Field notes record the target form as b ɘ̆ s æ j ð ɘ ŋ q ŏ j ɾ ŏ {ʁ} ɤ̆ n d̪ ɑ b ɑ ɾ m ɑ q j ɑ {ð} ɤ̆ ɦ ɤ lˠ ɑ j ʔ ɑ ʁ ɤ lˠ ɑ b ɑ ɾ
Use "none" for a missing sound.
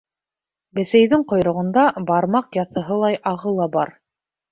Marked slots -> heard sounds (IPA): ʁ, θ

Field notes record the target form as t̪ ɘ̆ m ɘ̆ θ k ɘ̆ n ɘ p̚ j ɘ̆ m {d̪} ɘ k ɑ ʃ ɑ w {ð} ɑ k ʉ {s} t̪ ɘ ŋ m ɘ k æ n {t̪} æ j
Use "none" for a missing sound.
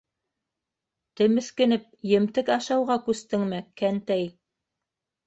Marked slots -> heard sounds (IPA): t̪, ʁ, s, t̪

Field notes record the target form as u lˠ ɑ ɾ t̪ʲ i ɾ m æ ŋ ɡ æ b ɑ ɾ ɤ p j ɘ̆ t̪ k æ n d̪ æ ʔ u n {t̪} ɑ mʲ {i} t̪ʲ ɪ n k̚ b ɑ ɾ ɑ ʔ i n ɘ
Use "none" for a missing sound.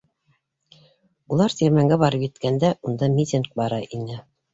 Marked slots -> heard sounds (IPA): d̪, i

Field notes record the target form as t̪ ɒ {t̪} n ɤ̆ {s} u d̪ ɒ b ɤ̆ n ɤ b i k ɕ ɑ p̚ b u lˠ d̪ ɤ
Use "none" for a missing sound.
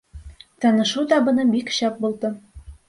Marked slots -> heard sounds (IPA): none, ʃ

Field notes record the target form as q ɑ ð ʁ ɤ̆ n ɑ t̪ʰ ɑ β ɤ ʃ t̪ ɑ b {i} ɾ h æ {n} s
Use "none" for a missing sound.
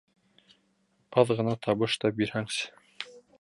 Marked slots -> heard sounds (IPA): i, ŋ

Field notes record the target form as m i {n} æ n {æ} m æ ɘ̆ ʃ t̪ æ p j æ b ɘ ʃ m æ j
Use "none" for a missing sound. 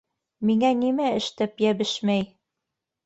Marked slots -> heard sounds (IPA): ŋ, i

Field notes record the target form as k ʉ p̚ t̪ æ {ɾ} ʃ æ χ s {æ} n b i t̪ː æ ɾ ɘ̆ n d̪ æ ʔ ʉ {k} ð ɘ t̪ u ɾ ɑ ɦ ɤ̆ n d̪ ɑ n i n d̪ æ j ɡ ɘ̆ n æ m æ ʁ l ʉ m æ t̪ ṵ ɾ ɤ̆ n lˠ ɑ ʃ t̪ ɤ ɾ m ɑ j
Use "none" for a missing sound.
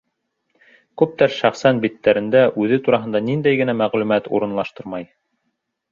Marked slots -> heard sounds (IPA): ɾ, æ, none

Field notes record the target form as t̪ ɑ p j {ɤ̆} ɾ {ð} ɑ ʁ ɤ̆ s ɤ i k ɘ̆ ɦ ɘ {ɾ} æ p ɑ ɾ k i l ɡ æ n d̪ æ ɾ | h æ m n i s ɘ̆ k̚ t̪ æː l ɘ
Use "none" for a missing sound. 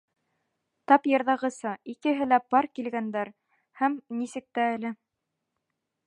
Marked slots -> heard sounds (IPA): ɤ̆, ð, l

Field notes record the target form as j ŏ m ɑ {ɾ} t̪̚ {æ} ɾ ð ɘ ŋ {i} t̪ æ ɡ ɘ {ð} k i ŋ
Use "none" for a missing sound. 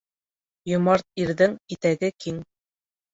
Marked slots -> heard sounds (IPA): ɾ, i, i, none

